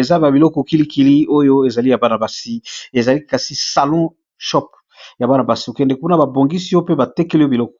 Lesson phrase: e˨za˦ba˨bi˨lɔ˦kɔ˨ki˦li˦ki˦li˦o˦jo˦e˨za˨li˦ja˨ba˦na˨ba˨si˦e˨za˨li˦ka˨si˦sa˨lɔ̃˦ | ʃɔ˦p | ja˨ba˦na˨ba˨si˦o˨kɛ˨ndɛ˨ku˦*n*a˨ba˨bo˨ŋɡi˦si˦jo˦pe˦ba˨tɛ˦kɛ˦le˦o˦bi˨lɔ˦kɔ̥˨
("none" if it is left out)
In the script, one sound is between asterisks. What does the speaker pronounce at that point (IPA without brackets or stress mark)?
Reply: n